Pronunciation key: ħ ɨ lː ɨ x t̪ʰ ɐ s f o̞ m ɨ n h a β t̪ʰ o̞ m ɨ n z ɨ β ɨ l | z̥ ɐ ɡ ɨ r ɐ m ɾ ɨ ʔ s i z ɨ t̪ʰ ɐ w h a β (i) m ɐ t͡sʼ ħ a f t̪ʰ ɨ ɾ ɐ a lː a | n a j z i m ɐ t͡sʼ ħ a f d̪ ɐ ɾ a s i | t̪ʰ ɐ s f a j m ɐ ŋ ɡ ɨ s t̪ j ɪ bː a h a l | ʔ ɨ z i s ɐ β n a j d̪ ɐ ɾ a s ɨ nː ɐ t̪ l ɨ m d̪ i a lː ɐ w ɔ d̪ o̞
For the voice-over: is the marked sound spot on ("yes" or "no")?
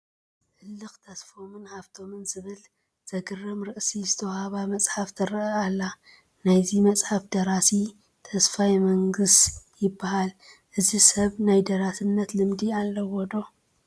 no